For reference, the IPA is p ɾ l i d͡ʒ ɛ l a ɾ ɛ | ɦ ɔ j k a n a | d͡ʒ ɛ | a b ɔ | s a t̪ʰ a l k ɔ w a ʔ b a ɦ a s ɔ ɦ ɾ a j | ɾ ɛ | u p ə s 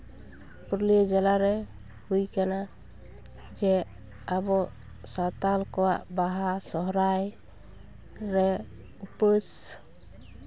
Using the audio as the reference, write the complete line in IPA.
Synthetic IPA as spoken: p ɾ l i d͡ʒ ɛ l a ɾ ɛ | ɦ u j k a n a | d͡ʒ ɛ | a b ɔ | s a t̪ a l k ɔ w a ʔ b a ɦ a s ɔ ɦ ɾ a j | ɾ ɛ | u p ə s